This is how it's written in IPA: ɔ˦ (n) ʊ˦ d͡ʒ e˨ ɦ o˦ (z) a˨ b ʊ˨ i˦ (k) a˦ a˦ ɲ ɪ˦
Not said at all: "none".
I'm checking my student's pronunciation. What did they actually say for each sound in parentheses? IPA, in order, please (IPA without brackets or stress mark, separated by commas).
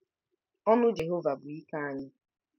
n, v, k